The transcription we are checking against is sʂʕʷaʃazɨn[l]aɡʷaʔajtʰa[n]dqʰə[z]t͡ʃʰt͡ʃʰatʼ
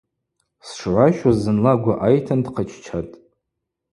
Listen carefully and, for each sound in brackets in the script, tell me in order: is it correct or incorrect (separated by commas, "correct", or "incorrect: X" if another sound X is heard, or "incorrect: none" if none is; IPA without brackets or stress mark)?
correct, correct, incorrect: none